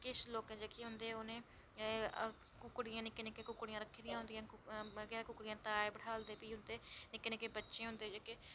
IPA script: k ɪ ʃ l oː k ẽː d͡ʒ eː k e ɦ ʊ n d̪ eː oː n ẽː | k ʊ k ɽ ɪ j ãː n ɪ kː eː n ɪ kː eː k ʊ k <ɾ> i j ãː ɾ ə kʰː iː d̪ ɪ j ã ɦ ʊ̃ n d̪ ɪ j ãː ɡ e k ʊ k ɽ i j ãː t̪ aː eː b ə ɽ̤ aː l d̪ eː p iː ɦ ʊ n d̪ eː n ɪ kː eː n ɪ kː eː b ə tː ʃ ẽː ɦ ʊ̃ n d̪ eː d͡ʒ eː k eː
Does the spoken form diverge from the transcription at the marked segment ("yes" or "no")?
yes